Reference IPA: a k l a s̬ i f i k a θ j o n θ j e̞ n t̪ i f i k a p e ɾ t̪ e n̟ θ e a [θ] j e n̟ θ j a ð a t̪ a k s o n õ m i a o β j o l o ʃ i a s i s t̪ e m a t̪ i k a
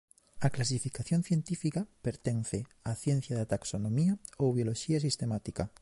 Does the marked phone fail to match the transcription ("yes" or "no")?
no